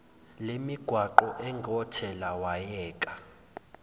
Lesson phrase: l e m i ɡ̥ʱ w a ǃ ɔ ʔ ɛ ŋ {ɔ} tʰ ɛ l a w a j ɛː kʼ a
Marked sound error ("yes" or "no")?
no